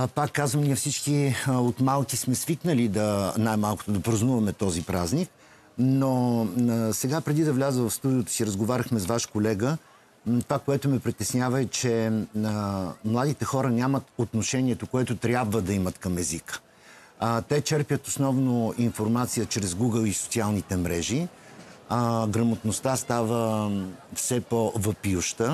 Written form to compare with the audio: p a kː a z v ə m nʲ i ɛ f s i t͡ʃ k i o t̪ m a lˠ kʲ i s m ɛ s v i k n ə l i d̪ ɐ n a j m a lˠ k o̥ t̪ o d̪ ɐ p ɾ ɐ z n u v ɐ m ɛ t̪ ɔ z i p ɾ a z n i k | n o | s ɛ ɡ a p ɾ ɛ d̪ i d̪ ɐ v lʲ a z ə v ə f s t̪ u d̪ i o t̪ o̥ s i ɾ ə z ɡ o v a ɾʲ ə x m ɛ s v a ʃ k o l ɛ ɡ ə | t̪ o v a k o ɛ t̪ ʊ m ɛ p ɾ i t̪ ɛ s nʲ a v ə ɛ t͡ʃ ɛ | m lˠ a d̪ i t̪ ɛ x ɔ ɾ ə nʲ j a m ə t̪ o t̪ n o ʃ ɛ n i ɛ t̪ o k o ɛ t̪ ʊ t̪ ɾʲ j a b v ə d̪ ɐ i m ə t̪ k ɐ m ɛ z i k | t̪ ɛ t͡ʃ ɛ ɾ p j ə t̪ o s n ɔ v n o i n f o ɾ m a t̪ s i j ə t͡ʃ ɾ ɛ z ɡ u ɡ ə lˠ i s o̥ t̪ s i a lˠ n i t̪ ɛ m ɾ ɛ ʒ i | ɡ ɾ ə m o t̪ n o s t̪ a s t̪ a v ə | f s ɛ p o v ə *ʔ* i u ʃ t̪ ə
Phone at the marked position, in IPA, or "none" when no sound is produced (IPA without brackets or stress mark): p